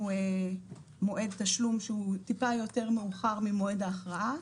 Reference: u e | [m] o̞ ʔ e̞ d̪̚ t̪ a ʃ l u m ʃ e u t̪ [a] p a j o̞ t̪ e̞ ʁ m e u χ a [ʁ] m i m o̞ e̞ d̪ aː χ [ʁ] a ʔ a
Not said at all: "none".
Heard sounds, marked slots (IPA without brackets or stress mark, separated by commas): m, i, ʁ, ʁ